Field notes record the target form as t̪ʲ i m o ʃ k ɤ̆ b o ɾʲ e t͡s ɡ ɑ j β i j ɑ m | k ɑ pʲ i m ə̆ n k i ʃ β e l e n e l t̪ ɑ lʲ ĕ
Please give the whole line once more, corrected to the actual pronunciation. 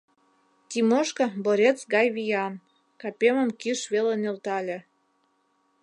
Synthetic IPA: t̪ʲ i m o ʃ k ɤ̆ b o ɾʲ e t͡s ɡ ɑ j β i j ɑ n | k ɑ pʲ e m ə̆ m k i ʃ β e l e n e l t̪ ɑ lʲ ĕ